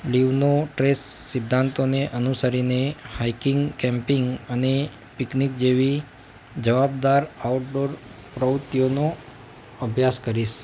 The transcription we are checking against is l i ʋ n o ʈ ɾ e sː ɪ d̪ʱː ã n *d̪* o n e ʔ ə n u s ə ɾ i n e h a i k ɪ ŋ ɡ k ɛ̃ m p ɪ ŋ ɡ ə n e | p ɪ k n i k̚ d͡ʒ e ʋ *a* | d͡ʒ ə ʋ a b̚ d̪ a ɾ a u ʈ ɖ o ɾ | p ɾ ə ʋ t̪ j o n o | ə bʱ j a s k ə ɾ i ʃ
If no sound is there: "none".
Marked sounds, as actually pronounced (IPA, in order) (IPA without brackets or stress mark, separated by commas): t̪, i